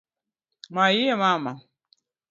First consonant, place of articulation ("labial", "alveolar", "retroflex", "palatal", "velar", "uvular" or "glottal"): labial